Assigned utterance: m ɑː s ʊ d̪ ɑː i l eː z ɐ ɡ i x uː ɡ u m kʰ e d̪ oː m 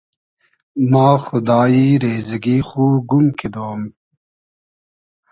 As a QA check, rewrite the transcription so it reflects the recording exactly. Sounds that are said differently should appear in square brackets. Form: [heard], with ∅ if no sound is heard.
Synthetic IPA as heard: m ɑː [x] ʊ d̪ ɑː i [ɾ] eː z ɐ ɡ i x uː ɡ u m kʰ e d̪ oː m